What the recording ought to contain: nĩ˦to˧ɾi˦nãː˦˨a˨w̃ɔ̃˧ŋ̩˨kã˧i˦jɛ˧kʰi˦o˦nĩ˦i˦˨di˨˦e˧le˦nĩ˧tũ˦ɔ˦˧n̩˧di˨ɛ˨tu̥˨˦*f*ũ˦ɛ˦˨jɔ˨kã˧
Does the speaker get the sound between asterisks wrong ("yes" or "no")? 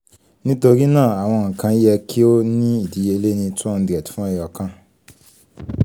no